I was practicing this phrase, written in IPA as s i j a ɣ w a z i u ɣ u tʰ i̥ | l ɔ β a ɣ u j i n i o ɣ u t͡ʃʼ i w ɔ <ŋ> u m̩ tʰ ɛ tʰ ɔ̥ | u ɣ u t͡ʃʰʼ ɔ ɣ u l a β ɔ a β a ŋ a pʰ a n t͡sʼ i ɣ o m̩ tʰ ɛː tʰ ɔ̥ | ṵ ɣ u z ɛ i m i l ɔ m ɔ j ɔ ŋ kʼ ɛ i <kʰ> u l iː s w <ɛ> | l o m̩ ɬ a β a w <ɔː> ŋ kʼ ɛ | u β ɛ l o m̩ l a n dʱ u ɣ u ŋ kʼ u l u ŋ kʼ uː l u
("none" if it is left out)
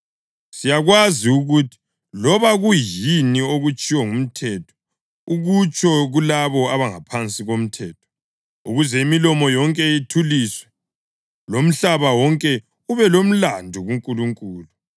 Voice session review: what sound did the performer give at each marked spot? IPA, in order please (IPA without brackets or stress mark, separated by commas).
ŋ, tʰ, ɛ, ɔ